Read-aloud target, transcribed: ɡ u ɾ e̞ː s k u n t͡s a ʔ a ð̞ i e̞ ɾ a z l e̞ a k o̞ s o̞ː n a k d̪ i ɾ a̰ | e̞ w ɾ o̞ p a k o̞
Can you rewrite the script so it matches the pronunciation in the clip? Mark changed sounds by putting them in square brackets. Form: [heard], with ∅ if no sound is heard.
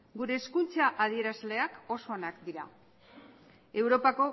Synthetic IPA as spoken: ɡ u ɾ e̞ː s k u n t͡s a ʔ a ð̞ i e̞ ɾ a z l e̞ a k o̞ s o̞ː n a k d̪ i ɾ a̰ | e̞ w ɾ o̞ p a k o̞